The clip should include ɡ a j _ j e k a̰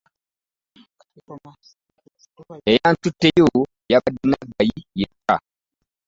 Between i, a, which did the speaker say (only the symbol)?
i